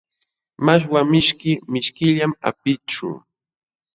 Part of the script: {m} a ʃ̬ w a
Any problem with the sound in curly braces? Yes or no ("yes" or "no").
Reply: no